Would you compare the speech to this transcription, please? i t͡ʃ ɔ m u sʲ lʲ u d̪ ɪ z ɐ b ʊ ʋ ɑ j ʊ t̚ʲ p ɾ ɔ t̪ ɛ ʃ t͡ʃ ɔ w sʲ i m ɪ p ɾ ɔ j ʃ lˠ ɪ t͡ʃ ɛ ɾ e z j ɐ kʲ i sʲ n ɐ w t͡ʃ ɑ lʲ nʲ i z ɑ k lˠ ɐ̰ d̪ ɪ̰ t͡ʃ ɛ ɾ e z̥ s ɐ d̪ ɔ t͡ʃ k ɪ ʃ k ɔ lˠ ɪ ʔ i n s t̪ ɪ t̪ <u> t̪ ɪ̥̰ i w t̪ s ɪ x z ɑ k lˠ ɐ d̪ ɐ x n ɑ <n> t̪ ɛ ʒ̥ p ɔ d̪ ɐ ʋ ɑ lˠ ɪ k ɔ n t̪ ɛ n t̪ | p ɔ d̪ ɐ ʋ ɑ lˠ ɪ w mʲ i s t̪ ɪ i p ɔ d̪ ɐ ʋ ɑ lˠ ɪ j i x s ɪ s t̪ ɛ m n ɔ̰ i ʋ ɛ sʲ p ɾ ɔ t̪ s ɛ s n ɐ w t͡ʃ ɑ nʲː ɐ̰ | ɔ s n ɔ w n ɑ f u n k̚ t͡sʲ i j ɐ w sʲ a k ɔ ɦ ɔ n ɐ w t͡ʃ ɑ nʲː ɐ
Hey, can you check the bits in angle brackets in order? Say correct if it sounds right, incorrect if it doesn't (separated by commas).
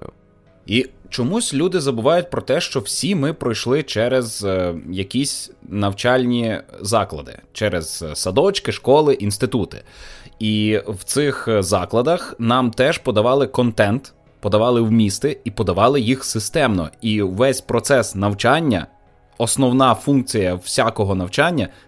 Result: correct, incorrect